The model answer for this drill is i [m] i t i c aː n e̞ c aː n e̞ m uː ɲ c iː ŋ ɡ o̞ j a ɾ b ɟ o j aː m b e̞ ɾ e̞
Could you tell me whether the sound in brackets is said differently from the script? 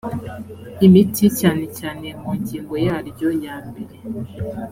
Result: no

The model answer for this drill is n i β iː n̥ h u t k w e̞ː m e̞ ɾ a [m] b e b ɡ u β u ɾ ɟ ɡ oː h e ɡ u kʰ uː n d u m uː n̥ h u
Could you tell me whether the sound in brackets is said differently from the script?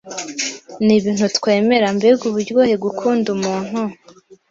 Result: no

